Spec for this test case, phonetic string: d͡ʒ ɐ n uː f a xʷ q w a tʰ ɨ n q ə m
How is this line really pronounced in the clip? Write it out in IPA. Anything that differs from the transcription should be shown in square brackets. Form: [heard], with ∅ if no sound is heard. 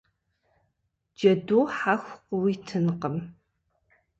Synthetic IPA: d͡ʒ ɐ [d] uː [ħ] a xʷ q w [i] tʰ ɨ n q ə m